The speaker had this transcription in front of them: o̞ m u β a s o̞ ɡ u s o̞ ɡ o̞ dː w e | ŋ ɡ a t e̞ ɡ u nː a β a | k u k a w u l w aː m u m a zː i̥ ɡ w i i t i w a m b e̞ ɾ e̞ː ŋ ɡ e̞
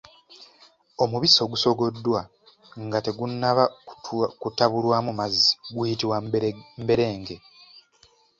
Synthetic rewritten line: o̞ m u β i s o̞ ɡ u s o̞ ɡ o̞ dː w a | ŋ ɡ a t e̞ ɡ u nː a β a | k u t a β u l w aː m u m a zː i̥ ɡ w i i t i w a m b e̞ ɾ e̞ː ŋ ɡ e̞